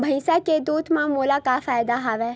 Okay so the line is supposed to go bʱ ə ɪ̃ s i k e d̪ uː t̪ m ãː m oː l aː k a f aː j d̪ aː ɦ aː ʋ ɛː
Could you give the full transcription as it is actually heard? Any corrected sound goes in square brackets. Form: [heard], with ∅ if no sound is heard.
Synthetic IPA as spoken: bʱ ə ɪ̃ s [a] k e d̪ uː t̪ m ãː m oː l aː k a f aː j d̪ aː ɦ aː ʋ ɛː